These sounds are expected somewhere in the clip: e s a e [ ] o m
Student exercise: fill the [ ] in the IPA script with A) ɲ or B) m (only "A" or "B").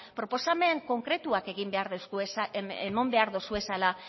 B